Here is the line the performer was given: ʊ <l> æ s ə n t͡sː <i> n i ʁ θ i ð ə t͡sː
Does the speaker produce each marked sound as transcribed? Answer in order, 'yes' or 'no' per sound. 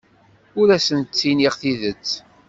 no, yes

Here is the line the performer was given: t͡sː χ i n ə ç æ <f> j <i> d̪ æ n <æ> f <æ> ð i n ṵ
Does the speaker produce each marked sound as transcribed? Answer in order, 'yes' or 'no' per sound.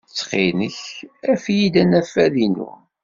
yes, yes, yes, yes

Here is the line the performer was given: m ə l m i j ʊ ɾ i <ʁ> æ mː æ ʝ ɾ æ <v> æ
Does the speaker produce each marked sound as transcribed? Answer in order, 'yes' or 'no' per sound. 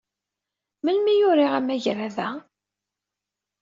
yes, no

